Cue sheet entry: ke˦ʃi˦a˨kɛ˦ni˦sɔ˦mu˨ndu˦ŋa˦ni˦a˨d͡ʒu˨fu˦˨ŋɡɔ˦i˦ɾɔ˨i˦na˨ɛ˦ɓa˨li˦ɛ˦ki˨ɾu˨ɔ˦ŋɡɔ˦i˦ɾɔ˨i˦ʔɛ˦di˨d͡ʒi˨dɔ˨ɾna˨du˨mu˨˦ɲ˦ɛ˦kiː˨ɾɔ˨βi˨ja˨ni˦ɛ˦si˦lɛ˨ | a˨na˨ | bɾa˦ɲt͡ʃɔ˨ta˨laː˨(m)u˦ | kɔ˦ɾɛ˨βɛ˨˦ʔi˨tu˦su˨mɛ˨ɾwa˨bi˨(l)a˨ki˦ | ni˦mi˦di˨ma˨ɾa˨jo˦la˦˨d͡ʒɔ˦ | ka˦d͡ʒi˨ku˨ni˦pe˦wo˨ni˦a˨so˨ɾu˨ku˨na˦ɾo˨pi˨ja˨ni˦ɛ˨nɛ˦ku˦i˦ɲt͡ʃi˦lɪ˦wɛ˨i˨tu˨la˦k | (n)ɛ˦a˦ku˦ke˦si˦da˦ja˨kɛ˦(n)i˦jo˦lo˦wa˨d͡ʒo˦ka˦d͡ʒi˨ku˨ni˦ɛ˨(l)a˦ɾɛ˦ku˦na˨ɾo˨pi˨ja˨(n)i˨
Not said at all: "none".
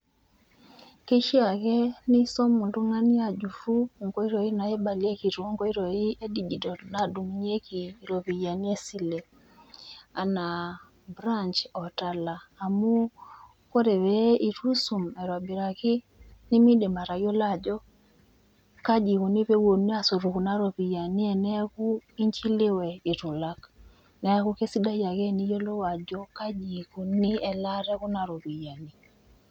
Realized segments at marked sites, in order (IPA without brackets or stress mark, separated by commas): m, ɾ, n, n, l, n